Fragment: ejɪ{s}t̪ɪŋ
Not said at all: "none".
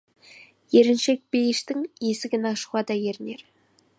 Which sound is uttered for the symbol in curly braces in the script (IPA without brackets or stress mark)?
ʃ